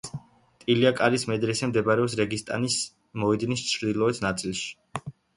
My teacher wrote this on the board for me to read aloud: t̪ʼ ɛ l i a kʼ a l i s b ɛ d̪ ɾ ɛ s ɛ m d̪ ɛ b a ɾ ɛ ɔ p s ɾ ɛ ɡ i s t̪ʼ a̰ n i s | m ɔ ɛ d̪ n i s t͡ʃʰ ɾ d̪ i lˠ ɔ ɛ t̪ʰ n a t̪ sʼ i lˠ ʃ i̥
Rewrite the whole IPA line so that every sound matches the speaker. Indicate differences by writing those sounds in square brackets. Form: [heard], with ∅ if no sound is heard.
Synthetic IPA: t̪ʼ [i] l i a kʼ a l i s [m] ɛ d̪ ɾ ɛ s ɛ m d̪ ɛ b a ɾ ɛ ɔ p s ɾ ɛ ɡ i s t̪ʼ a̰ n i s | m ɔ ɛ d̪ n i s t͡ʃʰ ɾ d̪ i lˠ ɔ ɛ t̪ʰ n a t̪ sʼ i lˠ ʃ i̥